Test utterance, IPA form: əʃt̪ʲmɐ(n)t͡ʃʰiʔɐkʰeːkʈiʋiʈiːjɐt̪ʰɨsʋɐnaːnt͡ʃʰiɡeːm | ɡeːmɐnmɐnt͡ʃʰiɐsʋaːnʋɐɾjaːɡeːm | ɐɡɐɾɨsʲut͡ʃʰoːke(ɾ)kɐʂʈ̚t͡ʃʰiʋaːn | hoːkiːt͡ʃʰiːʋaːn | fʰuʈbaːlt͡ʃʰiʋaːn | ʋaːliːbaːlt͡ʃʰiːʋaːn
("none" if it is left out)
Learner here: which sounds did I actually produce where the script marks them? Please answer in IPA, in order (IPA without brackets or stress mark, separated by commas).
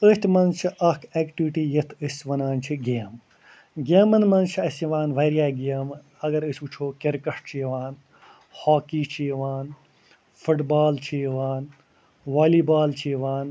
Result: n, ɾ